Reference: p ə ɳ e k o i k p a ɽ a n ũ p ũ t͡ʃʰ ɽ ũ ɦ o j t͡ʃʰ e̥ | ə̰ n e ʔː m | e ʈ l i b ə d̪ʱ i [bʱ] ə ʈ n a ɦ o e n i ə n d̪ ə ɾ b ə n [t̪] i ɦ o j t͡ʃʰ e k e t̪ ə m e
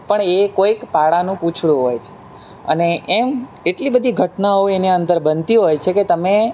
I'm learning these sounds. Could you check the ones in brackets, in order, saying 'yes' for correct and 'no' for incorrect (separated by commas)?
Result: no, yes